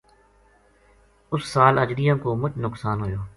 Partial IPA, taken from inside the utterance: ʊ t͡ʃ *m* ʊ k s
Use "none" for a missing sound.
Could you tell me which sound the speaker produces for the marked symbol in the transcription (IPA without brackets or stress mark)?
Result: n